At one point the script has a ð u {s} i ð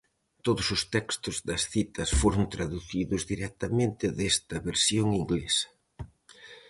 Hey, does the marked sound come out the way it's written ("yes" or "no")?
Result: no